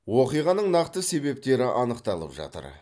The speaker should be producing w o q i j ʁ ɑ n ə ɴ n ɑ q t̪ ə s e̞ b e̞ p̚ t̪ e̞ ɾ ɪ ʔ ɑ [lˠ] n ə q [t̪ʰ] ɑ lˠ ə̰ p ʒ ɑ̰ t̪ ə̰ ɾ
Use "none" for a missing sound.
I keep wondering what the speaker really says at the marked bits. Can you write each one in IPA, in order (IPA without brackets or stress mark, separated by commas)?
none, t̪